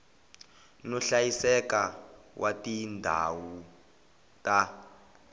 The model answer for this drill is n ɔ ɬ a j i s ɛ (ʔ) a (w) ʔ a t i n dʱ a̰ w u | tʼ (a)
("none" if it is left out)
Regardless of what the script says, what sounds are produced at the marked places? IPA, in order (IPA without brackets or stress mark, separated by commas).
k, w, a